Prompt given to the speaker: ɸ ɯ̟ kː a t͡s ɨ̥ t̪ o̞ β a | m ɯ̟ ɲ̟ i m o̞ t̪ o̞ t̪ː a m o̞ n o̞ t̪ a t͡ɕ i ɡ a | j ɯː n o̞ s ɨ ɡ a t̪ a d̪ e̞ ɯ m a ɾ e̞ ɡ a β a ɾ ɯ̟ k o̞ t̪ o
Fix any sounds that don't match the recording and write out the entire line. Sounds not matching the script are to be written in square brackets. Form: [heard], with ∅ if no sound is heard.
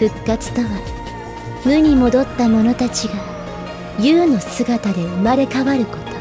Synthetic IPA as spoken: ɸ ɯ̟ kː a t͡s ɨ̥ t̪ o̞ β a | m ɯ̟ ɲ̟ i m o̞ [d̪] o̞ t̪ː a m o̞ n o̞ t̪ a t͡ɕ i ɡ a | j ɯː n o̞ s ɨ ɡ a t̪ a d̪ e̞ ɯ m a ɾ e̞ [k] a β a ɾ ɯ̟ k o̞ t̪ o

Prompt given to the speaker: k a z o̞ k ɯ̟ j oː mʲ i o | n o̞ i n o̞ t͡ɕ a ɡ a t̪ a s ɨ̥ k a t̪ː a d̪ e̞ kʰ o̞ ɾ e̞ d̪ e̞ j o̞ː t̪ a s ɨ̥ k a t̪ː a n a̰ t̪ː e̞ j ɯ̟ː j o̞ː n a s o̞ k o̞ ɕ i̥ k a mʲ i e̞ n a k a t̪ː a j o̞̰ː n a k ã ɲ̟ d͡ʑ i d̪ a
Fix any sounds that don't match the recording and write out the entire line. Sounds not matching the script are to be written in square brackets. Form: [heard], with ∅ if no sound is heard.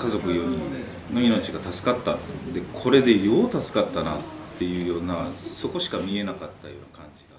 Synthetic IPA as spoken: k a z o̞ k ɯ̟ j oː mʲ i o | n o̞ i n o̞ t͡ɕ [i] ɡ a t̪ a s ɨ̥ k a t̪ː a d̪ e̞ kʰ o̞ ɾ e̞ d̪ e̞ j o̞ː t̪ a s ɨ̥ k a t̪ː a n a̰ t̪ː e̞ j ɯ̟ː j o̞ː n a s o̞ k o̞ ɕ i̥ k a mʲ i e̞ n a k a t̪ː a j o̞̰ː n a k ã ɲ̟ d͡ʑ i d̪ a

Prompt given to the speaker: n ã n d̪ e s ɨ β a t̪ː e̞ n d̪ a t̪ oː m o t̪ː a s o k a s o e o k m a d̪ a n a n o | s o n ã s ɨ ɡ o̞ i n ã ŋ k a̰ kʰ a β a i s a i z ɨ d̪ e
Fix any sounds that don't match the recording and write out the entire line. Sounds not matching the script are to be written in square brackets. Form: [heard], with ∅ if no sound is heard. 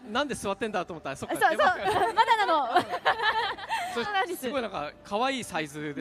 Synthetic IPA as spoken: n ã n d̪ e s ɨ β a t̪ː e̞ n d̪ a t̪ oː m o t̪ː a s o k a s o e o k m a d̪ a n a n o | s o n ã s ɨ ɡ o̞ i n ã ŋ k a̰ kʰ a β a [iː] s a i z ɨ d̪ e

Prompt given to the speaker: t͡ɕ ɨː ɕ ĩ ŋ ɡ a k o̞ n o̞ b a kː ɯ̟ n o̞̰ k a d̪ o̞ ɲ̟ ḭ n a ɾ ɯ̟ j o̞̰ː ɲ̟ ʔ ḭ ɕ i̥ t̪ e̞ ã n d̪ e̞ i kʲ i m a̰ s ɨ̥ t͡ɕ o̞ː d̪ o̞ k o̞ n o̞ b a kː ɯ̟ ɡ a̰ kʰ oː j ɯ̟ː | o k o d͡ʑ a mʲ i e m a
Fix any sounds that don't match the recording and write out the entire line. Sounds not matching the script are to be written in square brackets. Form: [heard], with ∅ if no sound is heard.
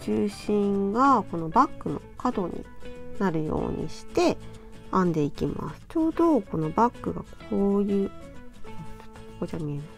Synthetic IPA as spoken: t͡ɕ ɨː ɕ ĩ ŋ ɡ a k o̞ n o̞ b a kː ɯ̟ n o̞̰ k a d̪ o̞ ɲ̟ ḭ n a ɾ ɯ̟ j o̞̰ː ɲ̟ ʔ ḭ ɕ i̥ t̪ e̞ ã n d̪ e̞ i kʲ i m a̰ s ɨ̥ t͡ɕ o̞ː d̪ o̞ k o̞ n o̞ b a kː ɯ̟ ɡ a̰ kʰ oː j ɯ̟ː | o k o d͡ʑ a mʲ i e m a

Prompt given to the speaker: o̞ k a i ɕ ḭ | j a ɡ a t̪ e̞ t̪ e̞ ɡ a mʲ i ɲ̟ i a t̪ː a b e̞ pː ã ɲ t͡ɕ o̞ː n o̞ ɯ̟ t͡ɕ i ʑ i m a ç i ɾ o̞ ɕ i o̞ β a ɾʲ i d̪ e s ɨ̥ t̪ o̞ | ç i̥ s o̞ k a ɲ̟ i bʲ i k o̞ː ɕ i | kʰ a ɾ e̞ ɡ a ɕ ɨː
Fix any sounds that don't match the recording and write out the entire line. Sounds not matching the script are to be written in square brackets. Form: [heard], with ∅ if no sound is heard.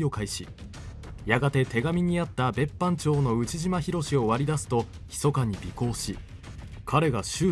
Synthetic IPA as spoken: o̞ k a i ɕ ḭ | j a ɡ a t̪ e̞ t̪ e̞ ɡ a mʲ i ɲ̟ i a t̪ː a b e̞ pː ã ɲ t͡ɕ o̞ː n o̞ ɯ̟ t͡ɕ i ʑ i m a ç i ɾ o̞ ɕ i o̞ β a ɾʲ i d̪ [a] s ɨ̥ t̪ o̞ | ç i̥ s o̞ k a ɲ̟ i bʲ i k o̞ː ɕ i | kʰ a ɾ e̞ ɡ a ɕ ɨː

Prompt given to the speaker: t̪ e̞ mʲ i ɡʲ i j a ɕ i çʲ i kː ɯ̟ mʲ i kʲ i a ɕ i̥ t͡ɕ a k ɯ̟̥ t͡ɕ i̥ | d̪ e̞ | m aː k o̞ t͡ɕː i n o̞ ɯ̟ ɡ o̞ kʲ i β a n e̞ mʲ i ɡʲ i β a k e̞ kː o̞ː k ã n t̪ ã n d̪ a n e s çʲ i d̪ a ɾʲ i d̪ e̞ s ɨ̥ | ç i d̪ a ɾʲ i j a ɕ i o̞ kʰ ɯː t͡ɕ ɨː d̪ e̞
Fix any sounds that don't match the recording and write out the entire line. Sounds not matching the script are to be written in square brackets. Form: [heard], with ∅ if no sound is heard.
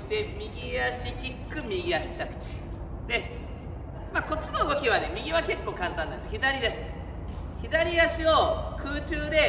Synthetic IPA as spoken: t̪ e̞ mʲ i ɡʲ i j a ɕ i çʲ i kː ɯ̟ mʲ i [ɡʲ] i a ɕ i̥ t͡ɕ a k ɯ̟̥ t͡ɕ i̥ | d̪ e̞ | m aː k o̞ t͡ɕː i n o̞ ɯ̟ ɡ o̞ kʲ i β a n e̞ mʲ i ɡʲ i β a k e̞ kː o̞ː k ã n t̪ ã n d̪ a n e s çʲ i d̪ a ɾʲ i d̪ e̞ s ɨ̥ | ç i d̪ a ɾʲ i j a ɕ i o̞ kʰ ɯː t͡ɕ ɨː d̪ e̞

